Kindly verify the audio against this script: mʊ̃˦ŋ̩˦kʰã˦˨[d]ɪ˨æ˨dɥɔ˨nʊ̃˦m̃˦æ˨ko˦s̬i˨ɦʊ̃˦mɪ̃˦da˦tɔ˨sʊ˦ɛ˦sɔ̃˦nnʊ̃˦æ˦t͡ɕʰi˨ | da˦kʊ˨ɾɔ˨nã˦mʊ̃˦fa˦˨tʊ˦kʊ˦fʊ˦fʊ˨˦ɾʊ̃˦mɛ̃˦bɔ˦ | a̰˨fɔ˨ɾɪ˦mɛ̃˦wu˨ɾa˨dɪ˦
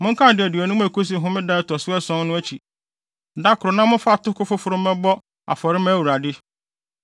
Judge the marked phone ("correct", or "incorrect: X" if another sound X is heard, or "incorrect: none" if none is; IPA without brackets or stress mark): correct